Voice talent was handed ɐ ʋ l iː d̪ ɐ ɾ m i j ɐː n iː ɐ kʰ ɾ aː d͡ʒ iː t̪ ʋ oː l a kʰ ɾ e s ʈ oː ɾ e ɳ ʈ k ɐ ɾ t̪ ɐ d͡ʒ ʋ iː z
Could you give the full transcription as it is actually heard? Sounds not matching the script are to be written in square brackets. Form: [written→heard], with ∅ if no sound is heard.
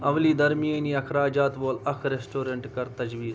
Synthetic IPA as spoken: ɐ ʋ l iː d̪ ɐ ɾ m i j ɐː n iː ɐ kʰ ɾ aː d͡ʒ [iː→aː] t̪ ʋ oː l [a→ɐ] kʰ ɾ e s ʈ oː ɾ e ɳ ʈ k ɐ ɾ t̪ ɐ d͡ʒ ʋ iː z